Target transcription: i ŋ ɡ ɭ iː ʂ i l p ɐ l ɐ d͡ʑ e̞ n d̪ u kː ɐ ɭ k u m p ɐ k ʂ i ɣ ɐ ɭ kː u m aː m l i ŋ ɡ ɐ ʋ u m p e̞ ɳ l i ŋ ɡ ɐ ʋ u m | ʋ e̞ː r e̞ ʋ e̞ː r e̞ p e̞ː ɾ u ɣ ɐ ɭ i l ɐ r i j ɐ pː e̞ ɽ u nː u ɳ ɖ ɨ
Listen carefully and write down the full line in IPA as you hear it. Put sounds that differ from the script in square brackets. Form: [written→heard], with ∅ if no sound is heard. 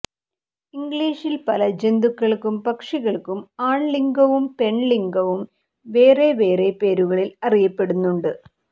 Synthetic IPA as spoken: i ŋ ɡ ɭ iː ʂ i l p ɐ l ɐ d͡ʑ e̞ n d̪ u kː ɐ ɭ k u m p ɐ k ʂ i ɣ ɐ ɭ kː u m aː [m→ɳ] l i ŋ ɡ ɐ ʋ u m p e̞ ɳ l i ŋ ɡ ɐ ʋ u m | ʋ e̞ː r e̞ ʋ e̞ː r e̞ p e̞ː ɾ u ɣ ɐ ɭ i l ɐ r i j ɐ pː e̞ ɽ u nː u ɳ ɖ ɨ